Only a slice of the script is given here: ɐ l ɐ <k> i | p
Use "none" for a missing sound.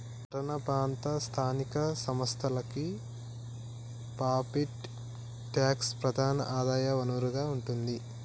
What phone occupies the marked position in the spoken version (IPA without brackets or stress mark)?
k